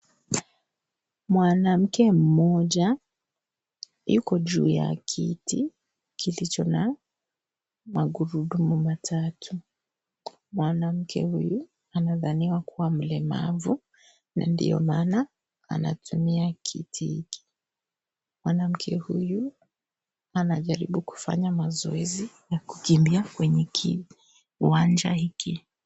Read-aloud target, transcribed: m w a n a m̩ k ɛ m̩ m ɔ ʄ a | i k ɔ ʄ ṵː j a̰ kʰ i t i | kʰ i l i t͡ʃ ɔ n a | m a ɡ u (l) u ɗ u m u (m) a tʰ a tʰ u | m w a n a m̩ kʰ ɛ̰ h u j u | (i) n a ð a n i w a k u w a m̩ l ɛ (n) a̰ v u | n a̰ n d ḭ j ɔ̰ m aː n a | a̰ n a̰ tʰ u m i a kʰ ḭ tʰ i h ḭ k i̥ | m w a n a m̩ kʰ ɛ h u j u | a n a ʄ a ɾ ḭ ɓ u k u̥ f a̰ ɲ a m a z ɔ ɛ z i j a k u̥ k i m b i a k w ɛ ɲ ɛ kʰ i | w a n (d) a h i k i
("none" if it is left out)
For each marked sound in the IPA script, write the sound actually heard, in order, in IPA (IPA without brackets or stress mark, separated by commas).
ɾ, m, a, m, d͡ʒ